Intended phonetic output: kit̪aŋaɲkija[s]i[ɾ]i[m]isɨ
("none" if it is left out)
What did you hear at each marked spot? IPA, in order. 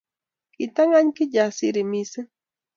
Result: s, ɾ, m

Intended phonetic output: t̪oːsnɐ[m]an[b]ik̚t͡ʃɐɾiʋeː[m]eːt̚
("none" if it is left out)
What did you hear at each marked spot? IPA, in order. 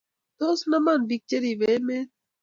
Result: m, b, m

